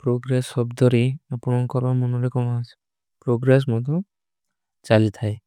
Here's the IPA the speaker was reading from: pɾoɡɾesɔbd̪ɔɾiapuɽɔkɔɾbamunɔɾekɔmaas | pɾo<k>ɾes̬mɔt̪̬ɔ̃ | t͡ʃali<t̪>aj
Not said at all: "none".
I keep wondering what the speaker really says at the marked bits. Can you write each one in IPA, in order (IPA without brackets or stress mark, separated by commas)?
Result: ɡ, t̪ʰ